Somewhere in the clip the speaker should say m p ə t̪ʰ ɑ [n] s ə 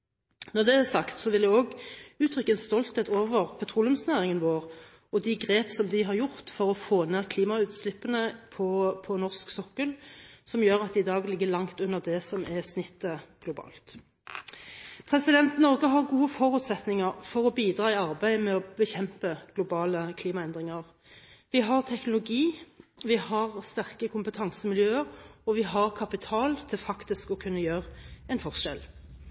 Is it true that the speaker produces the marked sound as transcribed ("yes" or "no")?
no